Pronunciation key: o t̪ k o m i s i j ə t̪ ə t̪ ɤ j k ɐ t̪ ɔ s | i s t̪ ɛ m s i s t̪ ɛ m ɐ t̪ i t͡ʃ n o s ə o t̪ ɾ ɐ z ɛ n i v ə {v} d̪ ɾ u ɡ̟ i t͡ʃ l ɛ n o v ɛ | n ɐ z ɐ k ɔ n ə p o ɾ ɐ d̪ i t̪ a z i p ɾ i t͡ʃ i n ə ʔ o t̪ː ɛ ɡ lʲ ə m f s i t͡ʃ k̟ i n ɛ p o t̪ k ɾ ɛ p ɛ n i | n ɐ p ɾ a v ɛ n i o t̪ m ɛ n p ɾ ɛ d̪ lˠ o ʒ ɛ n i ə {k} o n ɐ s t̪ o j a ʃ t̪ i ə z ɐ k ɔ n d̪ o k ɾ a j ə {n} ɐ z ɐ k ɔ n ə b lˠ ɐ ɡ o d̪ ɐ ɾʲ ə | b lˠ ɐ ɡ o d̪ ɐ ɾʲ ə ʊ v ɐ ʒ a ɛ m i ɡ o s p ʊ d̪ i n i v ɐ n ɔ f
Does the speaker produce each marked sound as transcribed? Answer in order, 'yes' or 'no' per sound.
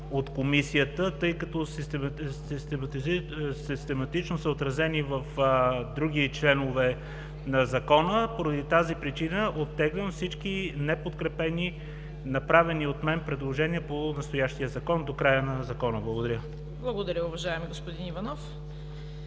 no, no, yes

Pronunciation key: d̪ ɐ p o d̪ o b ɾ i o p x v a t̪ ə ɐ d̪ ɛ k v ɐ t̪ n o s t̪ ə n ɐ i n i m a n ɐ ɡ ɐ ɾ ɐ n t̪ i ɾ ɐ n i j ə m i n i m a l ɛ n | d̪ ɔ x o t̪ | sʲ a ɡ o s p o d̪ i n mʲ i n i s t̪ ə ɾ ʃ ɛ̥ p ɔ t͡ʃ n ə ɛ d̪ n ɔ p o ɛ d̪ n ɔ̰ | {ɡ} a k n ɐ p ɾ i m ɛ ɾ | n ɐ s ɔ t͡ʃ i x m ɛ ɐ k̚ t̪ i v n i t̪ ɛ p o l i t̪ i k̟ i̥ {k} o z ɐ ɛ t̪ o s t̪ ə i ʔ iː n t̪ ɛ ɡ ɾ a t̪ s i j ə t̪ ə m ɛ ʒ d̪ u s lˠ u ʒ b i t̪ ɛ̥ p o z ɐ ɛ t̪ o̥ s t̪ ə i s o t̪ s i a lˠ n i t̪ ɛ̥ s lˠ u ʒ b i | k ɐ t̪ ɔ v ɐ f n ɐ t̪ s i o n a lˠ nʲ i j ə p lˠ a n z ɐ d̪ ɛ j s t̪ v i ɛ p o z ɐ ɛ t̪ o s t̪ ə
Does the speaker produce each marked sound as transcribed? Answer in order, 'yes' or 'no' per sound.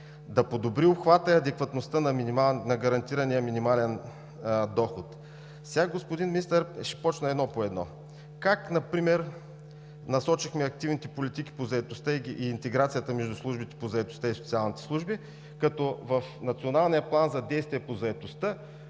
no, no

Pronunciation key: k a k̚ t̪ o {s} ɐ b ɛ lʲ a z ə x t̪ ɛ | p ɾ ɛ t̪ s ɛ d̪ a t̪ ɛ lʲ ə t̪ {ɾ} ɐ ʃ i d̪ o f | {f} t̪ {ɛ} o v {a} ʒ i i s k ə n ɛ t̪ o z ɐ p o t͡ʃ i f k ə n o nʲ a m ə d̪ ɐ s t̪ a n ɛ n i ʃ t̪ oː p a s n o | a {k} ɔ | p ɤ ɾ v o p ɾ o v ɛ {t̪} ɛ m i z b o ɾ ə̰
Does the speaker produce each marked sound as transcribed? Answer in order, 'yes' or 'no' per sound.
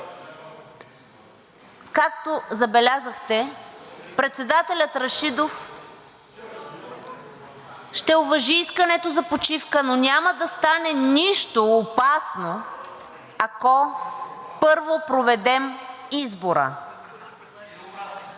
no, yes, no, yes, no, yes, no

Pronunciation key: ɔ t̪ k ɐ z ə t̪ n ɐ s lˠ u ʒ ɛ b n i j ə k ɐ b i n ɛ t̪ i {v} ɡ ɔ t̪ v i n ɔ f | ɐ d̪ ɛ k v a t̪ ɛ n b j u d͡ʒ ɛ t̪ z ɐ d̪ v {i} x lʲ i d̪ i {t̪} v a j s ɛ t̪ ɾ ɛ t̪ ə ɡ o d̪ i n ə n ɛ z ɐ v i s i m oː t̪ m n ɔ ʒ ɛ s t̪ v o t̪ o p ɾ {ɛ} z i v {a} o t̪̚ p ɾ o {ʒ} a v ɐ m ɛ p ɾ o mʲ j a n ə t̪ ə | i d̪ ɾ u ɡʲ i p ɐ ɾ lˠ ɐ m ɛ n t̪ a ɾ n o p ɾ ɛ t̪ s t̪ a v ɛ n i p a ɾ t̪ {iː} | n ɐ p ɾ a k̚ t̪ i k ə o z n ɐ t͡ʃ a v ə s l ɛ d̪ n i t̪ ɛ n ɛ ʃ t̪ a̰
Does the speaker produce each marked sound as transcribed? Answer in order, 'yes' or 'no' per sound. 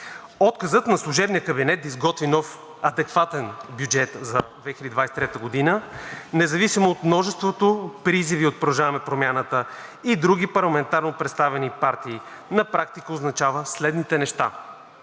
no, no, no, no, no, yes, yes

